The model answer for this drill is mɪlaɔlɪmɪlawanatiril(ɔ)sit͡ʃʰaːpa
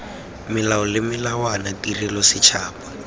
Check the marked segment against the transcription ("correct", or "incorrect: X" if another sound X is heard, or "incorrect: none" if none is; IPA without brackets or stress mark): correct